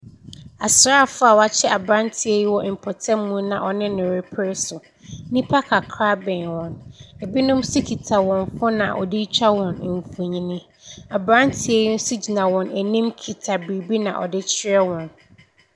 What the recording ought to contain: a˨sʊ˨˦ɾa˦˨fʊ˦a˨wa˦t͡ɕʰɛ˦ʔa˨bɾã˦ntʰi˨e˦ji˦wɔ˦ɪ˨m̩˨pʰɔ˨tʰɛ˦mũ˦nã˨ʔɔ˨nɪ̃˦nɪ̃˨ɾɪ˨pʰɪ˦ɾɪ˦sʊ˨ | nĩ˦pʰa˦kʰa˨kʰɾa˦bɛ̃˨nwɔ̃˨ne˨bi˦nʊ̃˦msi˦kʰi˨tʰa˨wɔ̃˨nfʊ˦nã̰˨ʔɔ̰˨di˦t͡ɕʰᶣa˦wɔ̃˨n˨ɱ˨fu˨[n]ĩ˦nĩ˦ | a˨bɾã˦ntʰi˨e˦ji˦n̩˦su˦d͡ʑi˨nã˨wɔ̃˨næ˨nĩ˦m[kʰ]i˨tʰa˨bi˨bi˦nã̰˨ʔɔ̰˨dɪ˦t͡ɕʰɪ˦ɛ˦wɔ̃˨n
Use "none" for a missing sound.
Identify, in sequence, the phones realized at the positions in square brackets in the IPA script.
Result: ɲ, kʰ

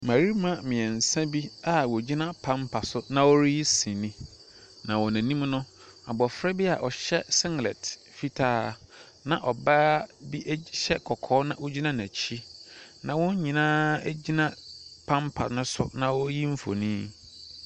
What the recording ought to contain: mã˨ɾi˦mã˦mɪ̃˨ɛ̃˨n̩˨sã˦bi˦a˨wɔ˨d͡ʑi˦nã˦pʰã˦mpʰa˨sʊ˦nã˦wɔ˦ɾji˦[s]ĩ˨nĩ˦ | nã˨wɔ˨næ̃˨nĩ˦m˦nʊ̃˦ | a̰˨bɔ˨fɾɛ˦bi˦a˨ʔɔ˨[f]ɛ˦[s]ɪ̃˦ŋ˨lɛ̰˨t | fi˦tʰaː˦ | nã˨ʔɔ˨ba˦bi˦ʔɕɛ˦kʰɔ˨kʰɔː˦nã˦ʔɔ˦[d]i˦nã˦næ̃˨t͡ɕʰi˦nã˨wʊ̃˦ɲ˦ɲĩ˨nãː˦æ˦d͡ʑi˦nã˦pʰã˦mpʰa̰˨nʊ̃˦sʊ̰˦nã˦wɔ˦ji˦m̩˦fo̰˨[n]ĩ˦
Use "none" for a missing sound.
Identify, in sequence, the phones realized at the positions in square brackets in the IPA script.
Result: s, ɕ, s, d͡ʑ, n

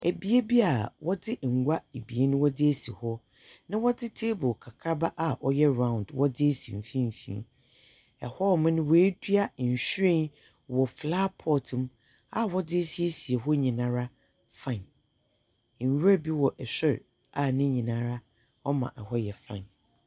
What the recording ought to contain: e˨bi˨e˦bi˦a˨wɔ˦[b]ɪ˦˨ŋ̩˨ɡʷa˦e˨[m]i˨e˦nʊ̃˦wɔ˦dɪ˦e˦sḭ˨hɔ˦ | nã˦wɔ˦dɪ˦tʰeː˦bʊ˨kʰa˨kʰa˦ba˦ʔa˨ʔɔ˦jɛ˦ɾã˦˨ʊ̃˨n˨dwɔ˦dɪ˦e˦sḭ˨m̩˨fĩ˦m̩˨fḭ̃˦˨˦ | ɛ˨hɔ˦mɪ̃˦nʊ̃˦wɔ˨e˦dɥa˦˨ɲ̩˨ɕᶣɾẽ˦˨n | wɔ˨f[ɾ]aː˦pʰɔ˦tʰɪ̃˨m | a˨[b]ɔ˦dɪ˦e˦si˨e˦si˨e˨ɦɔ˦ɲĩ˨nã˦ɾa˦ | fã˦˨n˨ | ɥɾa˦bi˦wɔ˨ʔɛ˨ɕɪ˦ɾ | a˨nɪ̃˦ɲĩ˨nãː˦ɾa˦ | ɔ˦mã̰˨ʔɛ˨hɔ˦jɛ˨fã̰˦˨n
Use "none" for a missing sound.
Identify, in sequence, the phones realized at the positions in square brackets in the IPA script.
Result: d, b, l, w

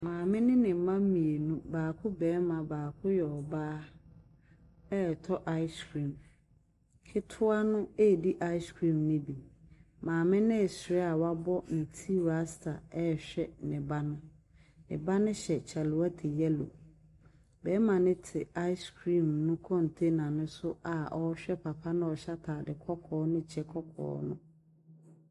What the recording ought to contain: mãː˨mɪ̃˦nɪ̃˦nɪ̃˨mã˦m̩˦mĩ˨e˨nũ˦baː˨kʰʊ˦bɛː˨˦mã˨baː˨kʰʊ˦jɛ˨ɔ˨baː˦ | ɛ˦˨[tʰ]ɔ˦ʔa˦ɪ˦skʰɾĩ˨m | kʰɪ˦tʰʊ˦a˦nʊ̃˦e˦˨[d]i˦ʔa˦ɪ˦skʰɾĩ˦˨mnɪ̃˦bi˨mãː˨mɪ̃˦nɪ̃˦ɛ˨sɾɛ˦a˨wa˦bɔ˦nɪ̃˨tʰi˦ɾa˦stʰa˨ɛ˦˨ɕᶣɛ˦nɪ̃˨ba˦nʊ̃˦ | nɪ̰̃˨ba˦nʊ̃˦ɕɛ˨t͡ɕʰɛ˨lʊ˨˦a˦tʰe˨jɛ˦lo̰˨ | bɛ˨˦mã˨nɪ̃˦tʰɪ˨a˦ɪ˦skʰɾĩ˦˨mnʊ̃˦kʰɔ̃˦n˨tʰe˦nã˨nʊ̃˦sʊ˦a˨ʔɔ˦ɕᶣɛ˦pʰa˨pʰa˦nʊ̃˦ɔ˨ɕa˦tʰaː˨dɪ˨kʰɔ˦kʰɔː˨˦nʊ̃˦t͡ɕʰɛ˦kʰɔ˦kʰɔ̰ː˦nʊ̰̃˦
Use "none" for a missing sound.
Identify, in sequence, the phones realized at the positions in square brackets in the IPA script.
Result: tʰ, d

